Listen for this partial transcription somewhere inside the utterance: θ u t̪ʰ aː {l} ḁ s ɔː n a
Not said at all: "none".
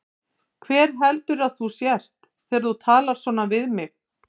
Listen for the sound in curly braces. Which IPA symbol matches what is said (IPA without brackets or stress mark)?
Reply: l